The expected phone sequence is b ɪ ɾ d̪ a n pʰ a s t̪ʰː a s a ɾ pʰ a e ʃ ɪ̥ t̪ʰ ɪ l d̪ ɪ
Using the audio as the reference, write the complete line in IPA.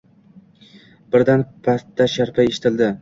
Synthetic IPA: b ɪ ɾ d̪ a n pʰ a s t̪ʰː a ʃ a ɾ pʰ a e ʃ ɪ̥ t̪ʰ ɪ l d̪ ɪ